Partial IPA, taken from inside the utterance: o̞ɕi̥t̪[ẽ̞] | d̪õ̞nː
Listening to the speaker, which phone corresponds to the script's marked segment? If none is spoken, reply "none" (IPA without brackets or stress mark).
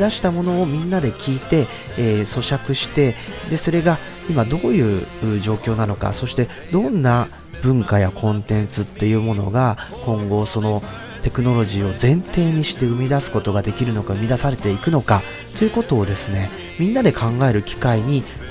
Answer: e̞